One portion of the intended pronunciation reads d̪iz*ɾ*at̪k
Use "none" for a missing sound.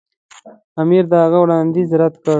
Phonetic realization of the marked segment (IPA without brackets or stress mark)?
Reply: ɾ